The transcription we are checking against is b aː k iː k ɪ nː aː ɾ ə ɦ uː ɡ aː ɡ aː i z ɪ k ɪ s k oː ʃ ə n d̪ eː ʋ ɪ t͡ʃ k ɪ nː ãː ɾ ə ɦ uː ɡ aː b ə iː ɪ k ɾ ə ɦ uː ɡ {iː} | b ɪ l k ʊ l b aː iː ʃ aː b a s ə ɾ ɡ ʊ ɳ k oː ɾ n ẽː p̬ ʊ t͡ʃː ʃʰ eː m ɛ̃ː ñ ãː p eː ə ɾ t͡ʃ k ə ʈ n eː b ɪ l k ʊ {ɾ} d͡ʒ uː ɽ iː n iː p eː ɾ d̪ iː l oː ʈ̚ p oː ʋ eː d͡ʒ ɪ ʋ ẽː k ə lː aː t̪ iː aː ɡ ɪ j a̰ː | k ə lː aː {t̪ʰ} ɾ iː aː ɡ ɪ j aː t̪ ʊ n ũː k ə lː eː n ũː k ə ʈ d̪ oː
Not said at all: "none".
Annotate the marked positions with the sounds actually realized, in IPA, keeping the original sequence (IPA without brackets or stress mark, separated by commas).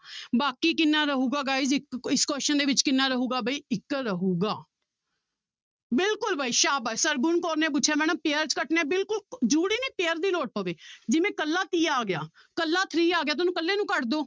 aː, l, t̪ʰ